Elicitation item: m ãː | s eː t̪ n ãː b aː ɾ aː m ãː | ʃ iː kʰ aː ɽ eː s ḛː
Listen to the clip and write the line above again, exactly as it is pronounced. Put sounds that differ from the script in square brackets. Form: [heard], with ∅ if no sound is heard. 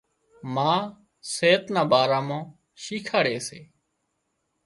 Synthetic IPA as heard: m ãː | s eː t̪ n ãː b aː ɾ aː m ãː | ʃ iː kʰ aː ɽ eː s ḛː